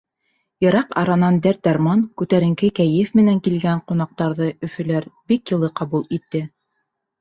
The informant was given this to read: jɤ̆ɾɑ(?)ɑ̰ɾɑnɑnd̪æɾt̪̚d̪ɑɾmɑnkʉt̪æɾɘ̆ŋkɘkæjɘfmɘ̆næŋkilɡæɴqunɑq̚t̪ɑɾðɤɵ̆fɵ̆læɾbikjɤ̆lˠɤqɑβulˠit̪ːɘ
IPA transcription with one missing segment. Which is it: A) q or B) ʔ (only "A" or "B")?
A